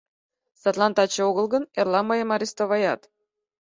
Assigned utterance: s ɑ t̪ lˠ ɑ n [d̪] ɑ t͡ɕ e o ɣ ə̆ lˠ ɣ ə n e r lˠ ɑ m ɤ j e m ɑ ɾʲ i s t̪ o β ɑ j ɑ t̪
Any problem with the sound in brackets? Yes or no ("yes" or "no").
yes